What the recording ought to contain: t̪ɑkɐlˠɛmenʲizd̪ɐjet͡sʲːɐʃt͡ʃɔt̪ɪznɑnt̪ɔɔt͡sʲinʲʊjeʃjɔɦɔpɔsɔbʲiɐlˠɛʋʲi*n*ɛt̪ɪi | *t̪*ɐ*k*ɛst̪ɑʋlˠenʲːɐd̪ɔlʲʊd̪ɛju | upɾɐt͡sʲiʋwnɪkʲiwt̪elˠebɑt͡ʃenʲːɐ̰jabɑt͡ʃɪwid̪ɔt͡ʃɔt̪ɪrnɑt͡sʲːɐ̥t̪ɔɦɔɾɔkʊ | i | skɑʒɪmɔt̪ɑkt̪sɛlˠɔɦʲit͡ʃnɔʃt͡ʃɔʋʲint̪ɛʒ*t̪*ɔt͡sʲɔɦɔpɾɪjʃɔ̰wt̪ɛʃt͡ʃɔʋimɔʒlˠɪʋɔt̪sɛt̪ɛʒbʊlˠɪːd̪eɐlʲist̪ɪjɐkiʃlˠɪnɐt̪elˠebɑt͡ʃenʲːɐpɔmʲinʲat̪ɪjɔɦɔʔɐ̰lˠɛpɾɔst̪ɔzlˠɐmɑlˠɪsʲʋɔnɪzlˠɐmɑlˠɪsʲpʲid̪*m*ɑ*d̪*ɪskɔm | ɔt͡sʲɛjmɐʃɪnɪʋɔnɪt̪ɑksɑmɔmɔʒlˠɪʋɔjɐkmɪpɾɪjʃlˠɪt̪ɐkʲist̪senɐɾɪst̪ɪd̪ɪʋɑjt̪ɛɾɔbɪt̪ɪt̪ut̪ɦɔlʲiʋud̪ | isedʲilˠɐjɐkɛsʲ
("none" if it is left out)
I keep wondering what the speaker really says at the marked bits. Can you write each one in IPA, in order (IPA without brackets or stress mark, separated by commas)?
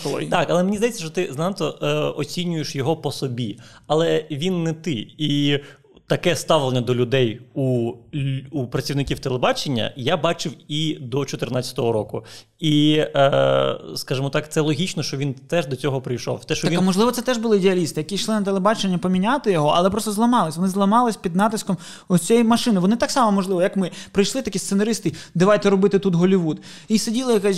nː, t̪, k, d̪, n, t̪